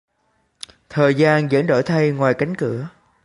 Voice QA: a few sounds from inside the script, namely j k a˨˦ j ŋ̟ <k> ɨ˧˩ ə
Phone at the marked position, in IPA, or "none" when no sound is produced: k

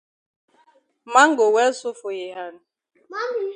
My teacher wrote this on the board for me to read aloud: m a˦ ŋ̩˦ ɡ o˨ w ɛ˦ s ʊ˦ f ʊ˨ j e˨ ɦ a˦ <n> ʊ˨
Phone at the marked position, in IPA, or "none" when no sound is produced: n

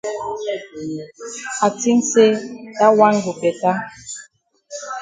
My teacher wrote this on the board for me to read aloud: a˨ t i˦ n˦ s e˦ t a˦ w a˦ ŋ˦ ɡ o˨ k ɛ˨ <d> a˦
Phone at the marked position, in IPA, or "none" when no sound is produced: t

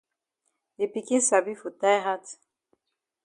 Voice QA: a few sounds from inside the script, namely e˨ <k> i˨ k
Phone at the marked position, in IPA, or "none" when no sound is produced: p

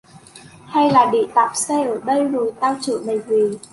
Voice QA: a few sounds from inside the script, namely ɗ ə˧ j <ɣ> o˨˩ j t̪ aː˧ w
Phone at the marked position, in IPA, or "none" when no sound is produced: z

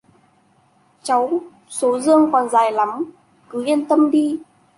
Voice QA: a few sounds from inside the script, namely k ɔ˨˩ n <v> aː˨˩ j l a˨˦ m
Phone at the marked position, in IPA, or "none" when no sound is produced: z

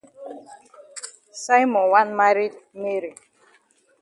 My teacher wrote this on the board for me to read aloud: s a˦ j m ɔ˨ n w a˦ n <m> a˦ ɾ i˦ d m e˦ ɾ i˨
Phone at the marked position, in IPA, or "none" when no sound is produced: m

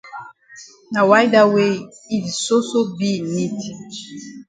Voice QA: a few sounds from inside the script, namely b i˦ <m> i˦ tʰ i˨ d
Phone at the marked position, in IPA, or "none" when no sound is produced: n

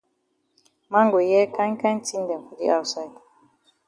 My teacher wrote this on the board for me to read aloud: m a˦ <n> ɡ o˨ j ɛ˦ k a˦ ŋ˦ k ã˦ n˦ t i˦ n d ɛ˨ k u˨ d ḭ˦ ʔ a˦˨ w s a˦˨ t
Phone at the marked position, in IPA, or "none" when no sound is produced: ŋ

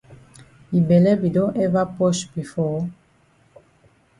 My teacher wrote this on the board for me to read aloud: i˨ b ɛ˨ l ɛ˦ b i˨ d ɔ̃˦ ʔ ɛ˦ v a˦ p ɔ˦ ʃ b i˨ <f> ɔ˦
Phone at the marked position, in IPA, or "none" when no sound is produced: f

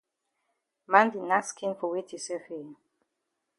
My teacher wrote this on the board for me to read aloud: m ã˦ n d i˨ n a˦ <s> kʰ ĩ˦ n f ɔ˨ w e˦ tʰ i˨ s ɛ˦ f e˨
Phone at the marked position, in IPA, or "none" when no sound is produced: s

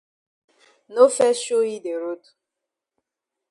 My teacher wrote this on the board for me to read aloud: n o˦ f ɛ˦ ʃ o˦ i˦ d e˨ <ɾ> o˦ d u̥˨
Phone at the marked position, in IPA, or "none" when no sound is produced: ɾ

